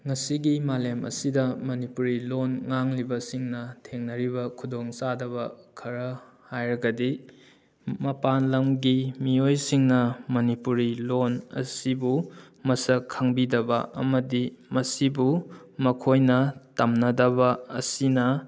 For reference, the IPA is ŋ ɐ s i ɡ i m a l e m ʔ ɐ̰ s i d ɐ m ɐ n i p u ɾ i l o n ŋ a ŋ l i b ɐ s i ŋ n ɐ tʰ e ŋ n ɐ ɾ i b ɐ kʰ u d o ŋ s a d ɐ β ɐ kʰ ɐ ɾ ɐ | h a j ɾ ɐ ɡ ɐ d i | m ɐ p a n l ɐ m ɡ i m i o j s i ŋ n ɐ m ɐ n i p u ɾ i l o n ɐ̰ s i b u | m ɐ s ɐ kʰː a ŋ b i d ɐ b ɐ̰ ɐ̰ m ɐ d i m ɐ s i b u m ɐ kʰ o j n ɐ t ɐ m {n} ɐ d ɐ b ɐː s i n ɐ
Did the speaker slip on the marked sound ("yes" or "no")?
no